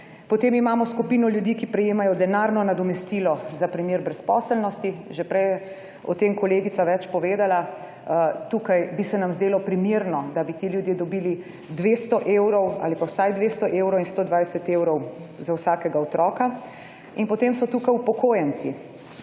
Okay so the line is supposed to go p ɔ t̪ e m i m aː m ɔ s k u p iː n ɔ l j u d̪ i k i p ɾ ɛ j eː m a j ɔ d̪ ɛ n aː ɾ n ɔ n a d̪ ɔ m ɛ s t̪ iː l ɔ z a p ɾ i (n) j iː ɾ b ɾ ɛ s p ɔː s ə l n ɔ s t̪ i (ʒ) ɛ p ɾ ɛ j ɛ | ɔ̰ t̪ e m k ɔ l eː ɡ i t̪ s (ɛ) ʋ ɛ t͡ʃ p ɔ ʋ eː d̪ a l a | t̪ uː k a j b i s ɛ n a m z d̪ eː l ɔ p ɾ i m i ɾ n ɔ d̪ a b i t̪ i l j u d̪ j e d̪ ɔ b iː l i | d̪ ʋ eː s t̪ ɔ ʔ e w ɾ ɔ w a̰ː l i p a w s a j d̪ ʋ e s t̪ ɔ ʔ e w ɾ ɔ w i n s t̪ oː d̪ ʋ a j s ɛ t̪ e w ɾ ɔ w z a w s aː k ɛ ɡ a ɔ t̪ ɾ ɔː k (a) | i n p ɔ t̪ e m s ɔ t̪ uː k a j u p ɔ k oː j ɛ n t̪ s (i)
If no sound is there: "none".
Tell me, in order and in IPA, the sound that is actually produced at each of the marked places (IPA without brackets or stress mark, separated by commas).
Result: m, ʒ, a, a, i